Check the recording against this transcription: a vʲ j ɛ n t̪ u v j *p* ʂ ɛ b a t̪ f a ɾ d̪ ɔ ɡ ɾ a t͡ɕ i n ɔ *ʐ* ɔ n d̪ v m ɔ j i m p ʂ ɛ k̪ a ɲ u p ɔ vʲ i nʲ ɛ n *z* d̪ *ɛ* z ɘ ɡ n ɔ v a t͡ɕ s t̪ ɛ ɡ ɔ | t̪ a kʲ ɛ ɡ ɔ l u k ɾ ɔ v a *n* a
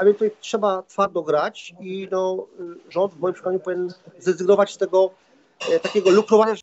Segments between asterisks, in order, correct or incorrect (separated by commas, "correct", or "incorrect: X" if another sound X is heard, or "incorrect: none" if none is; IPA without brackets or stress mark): incorrect: t, correct, correct, correct, incorrect: ɲ